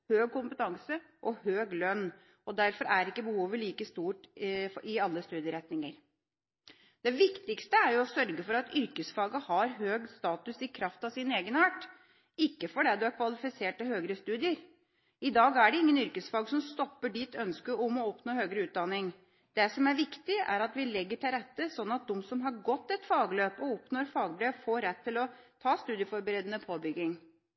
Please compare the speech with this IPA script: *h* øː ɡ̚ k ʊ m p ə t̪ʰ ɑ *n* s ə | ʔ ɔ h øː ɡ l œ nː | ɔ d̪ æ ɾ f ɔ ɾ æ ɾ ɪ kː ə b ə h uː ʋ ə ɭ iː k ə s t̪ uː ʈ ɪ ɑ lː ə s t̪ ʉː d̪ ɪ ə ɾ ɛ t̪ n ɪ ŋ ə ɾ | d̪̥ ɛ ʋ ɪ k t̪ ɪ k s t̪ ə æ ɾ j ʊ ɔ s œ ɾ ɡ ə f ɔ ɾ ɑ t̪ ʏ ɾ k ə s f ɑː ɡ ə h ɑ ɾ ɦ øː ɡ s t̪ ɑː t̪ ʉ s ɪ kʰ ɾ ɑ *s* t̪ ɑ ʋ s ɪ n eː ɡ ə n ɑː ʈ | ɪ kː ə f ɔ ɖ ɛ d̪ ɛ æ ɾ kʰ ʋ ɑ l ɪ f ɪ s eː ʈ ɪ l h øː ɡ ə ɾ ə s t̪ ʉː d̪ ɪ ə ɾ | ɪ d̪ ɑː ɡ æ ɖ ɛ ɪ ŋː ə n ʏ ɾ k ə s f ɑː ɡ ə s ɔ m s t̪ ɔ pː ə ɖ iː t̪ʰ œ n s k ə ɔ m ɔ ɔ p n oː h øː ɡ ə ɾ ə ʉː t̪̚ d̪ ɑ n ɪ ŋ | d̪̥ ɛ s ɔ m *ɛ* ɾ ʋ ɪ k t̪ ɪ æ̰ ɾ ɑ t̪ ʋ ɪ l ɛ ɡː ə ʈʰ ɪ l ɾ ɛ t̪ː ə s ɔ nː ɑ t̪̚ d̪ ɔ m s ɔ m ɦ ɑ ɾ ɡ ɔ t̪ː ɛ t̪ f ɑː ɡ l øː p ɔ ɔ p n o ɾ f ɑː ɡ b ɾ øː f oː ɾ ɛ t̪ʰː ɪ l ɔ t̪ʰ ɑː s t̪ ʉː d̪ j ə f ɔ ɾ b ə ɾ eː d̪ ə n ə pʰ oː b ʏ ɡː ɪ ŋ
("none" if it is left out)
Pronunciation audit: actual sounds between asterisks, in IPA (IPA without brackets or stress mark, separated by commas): h, ŋ, f, æ